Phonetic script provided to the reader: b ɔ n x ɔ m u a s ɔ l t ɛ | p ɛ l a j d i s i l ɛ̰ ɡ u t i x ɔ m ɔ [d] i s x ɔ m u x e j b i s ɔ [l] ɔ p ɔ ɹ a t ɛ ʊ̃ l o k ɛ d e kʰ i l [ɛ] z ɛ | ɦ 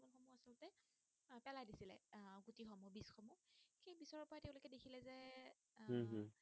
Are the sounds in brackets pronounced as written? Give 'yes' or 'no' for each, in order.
no, no, yes

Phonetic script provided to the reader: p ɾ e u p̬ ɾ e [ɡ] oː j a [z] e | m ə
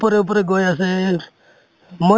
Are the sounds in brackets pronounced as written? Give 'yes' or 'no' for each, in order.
yes, no

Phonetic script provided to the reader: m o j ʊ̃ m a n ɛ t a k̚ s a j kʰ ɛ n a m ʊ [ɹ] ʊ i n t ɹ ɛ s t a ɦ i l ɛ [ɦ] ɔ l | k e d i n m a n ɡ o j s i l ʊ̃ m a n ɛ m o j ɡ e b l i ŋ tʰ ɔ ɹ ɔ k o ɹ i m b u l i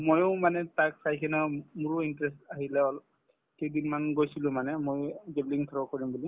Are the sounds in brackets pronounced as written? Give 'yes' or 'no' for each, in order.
yes, no

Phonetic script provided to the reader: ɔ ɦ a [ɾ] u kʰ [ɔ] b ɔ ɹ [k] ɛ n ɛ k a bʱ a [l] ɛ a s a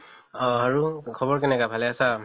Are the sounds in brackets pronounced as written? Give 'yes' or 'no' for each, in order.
no, yes, yes, yes

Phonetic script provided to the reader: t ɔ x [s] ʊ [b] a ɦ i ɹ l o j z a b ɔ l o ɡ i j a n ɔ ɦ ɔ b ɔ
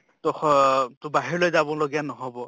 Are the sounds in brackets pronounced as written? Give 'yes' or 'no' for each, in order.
no, yes

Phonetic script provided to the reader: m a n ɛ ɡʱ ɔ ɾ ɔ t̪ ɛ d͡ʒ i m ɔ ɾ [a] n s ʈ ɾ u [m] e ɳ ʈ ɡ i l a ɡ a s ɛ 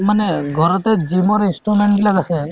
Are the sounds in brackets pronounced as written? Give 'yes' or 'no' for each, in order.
no, yes

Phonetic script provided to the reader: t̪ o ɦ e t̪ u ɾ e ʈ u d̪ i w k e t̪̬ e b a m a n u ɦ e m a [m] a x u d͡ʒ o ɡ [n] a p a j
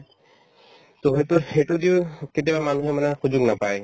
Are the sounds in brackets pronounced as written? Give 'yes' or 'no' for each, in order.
no, yes

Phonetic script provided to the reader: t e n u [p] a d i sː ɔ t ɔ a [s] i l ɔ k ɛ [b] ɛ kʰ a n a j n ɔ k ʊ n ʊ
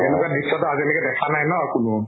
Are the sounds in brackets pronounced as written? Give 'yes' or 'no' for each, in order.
no, no, no

